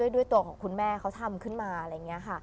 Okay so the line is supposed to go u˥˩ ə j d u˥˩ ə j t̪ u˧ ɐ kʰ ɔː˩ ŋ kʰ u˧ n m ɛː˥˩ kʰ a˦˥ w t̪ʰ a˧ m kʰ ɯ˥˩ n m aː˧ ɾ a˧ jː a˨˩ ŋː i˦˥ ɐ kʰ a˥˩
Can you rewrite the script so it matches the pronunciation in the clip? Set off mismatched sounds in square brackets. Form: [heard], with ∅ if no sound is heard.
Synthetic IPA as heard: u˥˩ ə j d u˥˩ ə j t̪ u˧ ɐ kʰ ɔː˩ ŋ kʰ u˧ n m ɛː˥˩ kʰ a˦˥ w t̪ʰ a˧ m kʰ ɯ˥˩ n m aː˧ ɾ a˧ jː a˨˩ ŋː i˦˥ ɐ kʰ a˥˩